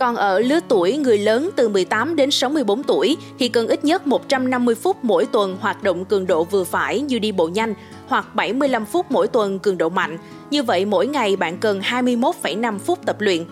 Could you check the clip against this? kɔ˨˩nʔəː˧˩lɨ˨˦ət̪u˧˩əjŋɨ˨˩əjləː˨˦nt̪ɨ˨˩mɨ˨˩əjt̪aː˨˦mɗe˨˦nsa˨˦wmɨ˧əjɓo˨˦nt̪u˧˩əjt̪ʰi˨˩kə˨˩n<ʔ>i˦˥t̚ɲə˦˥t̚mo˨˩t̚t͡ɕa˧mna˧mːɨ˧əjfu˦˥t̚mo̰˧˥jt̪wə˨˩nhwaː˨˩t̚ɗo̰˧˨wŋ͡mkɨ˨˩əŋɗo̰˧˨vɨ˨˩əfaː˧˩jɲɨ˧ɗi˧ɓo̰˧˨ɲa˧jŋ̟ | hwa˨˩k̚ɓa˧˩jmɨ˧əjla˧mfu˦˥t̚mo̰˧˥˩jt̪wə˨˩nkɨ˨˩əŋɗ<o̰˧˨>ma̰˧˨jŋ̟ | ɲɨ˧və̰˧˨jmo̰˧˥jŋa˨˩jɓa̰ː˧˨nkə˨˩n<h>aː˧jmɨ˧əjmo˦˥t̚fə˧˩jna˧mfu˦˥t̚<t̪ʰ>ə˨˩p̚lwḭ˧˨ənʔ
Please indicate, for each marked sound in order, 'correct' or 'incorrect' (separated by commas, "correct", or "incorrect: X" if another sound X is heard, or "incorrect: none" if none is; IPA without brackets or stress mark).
correct, correct, correct, incorrect: t̪